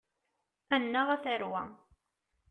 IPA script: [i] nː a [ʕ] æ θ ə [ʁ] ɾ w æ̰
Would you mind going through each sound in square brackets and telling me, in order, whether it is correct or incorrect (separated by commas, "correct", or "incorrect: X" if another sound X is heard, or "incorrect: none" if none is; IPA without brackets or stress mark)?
incorrect: æ, incorrect: ʁ, incorrect: none